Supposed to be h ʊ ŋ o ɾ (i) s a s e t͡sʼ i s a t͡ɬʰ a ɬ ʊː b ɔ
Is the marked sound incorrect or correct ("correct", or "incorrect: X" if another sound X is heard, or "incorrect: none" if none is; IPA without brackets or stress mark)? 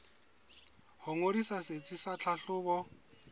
correct